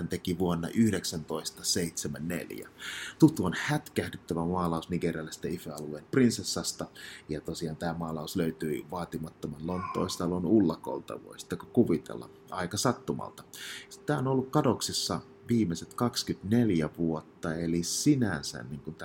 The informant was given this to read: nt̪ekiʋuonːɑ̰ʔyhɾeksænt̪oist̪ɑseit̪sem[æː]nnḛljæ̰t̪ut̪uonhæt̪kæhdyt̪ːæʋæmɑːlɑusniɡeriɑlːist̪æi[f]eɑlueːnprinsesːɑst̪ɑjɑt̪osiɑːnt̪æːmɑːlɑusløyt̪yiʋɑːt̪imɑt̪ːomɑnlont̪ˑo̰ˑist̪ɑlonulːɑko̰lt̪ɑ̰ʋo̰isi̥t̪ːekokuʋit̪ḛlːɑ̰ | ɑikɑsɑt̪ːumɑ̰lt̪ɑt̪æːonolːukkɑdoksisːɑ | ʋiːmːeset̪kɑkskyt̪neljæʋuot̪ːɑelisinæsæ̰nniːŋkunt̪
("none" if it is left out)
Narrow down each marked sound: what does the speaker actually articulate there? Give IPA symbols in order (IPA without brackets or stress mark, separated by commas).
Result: æ, f